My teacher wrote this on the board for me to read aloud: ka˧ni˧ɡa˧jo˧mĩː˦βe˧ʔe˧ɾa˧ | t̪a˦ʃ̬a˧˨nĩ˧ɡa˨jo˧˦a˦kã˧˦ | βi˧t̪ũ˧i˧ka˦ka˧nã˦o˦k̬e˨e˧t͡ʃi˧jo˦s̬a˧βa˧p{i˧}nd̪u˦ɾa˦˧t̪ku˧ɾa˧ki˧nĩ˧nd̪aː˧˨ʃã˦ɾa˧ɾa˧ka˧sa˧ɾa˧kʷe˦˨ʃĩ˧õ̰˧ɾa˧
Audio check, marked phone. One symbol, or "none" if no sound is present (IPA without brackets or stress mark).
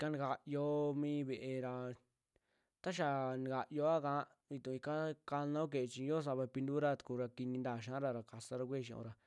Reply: i˧